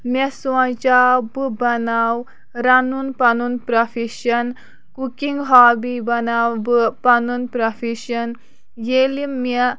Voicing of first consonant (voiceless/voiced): voiced